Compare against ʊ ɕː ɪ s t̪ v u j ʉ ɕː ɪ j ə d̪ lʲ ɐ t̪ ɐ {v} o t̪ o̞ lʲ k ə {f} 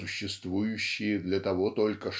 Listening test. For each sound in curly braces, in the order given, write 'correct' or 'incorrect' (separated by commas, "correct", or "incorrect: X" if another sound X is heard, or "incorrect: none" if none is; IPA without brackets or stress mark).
correct, incorrect: ʂ